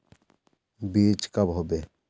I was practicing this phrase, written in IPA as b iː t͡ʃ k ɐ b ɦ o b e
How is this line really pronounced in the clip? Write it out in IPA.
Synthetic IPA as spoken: b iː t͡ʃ k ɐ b ɦ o b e